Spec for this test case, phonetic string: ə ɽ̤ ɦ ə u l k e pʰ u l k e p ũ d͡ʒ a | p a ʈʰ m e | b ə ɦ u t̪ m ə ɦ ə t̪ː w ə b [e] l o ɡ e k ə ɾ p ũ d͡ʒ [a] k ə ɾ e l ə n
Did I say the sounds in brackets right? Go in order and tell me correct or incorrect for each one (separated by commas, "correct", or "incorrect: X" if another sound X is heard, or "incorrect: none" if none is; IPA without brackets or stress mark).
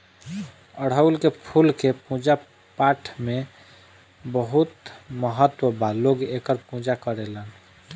incorrect: a, correct